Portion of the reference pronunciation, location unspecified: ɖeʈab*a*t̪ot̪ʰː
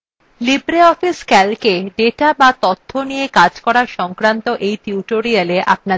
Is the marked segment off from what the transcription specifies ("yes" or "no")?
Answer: no